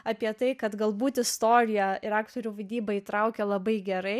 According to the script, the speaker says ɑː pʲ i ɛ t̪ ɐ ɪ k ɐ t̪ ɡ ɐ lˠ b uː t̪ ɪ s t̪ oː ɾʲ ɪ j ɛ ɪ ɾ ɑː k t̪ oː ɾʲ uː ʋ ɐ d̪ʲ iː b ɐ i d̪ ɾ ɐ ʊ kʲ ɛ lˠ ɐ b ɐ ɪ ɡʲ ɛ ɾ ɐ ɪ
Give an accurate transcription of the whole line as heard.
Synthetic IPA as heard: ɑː pʲ i ɛ t̪ ɐ ɪ k ɐ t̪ ɡ ɐ lˠ b uː t̪ ɪ s t̪ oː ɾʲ ɪ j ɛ ɪ ɾ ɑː k t̪ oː ɾʲ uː ʋ ɐ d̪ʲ iː b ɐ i t̪ ɾ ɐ ʊ kʲ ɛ lˠ ɐ b ɐ ɪ ɡʲ ɛ ɾ ɐ ɪ